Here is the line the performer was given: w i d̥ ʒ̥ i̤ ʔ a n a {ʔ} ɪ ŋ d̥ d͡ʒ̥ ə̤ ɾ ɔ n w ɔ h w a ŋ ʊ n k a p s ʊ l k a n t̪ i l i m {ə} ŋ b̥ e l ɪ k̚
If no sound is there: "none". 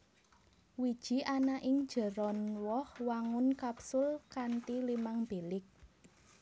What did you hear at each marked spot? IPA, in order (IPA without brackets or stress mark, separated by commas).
ʔ, a